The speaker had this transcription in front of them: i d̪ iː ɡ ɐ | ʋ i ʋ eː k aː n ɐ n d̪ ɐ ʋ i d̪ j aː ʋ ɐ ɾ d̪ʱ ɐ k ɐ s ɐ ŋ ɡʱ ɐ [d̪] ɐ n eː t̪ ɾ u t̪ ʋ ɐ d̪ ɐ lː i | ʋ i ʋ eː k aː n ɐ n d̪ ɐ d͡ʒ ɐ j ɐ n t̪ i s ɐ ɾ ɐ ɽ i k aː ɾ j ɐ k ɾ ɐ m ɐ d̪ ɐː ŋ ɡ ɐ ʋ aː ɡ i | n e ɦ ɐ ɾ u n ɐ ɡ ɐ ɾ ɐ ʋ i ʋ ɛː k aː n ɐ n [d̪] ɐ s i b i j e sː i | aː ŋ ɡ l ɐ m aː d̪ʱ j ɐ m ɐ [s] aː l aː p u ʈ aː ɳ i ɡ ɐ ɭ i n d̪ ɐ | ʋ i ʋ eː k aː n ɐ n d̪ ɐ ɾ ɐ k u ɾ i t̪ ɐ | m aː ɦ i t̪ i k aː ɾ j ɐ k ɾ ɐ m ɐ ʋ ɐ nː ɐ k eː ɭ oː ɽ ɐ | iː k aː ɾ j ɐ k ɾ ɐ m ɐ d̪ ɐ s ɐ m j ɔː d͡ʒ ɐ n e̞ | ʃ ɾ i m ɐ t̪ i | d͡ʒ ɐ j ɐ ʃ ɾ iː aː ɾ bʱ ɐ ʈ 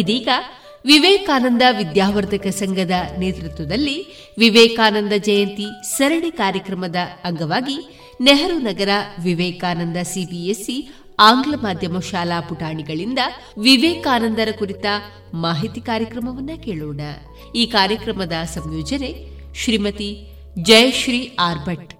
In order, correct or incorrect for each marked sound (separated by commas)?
correct, correct, incorrect